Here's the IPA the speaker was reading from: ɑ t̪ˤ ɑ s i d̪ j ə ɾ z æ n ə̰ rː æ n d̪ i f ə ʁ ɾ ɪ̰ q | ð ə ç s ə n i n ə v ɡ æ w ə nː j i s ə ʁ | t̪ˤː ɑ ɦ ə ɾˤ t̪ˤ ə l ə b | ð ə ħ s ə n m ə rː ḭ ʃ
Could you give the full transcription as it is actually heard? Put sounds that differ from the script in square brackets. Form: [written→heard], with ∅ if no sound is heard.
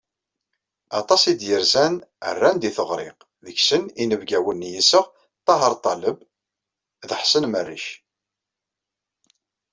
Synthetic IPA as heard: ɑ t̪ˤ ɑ s i d̪ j ə ɾ z æ n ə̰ rː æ n d̪ i [f→θ] ə ʁ ɾ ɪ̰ q | ð ə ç s ə n i n ə v ɡ æ w ə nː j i s ə ʁ | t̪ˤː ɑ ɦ ə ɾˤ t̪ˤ [ə→ɑ] l ə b | ð ə ħ s ə n m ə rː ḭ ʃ

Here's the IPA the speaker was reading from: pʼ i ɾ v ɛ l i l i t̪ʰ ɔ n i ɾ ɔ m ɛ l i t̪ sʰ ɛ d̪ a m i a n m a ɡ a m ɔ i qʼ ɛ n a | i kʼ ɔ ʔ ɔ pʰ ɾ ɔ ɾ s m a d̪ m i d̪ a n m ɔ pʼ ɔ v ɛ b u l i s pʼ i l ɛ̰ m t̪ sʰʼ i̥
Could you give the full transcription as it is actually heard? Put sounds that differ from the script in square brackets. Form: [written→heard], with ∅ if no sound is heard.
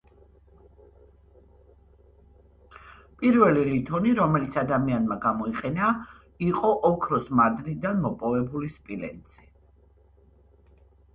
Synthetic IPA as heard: pʼ i ɾ v ɛ l i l i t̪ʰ ɔ n i ɾ ɔ m ɛ l i t̪ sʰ [ɛ→a] d̪ a m i a n m a ɡ a m ɔ i qʼ ɛ n a | i [kʼ→qʼ] ɔ ʔ ɔ [pʰ→kʰ] ɾ ɔ [ɾ→∅] s m a d̪ [m→n] i d̪ a n m ɔ pʼ ɔ v ɛ b u l i s pʼ i l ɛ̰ [m→n] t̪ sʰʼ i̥

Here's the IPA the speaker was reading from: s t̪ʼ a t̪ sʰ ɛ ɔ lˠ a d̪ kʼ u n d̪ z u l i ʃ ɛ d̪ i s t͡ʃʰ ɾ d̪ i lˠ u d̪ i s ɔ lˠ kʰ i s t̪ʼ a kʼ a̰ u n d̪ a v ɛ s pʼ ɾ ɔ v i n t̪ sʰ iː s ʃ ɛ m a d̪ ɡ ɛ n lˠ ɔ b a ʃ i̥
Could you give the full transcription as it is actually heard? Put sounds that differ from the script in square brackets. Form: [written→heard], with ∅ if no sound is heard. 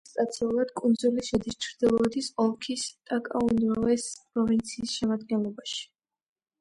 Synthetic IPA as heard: s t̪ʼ a t̪ sʰ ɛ [ɔ→u] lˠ a d̪ kʼ u n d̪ z u l i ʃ ɛ d̪ i s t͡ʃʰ ɾ d̪ i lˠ [u→ɔ] d̪ i s ɔ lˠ kʰ i s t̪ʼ a kʼ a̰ u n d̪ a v ɛ s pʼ ɾ ɔ v i n t̪ sʰ iː s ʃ ɛ m a d̪ ɡ ɛ n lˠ ɔ b a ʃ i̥

